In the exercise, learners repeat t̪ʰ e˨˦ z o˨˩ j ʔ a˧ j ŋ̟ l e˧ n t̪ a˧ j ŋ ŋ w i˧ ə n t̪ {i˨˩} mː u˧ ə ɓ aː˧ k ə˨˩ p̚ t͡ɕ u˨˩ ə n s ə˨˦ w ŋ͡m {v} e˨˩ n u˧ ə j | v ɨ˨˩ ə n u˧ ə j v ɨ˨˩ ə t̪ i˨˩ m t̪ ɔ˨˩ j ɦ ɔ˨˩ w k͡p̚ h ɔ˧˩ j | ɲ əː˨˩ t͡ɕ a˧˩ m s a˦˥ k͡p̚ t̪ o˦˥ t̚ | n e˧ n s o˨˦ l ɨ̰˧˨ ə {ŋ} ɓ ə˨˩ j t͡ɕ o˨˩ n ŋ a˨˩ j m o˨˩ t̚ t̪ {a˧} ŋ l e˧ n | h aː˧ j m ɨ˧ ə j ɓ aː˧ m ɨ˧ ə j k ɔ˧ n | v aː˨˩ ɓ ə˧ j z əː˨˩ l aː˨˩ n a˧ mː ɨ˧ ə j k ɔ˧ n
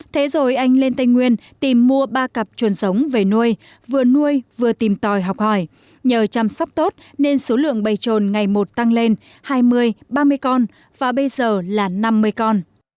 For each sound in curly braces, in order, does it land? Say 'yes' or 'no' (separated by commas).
yes, yes, yes, yes